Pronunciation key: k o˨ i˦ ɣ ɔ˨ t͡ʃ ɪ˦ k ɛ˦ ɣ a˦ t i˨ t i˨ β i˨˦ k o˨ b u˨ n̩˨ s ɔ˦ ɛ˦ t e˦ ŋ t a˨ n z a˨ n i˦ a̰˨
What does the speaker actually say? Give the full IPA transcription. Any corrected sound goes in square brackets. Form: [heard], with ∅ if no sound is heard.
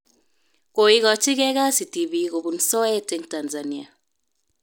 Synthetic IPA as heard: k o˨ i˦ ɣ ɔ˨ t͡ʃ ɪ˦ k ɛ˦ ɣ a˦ [s] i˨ t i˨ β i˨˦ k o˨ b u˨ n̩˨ s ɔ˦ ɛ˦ t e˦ ŋ t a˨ n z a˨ n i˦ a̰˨